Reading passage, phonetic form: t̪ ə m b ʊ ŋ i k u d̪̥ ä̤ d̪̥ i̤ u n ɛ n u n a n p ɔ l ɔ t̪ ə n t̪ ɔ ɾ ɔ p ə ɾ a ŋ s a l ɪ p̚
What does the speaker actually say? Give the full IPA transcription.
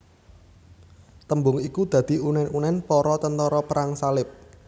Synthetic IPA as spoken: t̪ ə m b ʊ ŋ i k u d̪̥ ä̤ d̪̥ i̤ u n ɛ n u n ɛ n p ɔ ɾ ɔ t̪ ə n t̪ ɔ ɾ ɔ p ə ɾ a ŋ s a l ɪ p̚